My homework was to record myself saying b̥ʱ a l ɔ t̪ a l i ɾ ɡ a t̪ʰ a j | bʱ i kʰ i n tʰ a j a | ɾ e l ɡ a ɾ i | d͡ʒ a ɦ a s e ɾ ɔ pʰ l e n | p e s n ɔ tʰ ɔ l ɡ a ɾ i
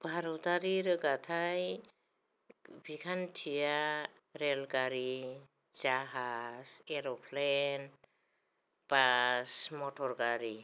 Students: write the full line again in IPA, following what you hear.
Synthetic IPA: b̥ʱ a ɾ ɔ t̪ a ɾ i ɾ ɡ a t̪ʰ a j | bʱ i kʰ a n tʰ i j a | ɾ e l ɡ a ɾ i | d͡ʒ a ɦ a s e ɾ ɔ pʰ l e n | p a s m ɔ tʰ ɔ ɾ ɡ a ɾ i